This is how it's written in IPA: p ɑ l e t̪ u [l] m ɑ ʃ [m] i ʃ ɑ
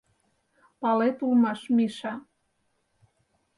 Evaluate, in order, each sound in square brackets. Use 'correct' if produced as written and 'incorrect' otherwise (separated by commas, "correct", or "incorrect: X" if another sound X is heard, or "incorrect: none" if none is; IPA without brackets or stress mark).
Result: correct, correct